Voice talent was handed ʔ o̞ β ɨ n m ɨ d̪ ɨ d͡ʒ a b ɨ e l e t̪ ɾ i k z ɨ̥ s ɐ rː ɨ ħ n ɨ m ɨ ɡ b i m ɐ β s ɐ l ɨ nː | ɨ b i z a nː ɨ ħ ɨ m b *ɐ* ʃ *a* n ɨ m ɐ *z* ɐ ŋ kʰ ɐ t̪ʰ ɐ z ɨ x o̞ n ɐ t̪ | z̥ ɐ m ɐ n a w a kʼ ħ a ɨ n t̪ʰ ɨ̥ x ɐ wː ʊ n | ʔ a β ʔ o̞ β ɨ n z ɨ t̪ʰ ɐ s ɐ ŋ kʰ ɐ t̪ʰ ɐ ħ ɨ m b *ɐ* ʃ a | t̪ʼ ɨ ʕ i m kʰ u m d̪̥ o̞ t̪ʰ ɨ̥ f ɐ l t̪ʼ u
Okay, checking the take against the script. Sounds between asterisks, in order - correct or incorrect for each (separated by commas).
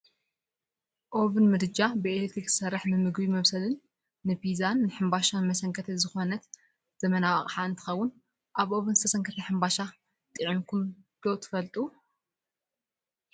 incorrect, correct, incorrect, incorrect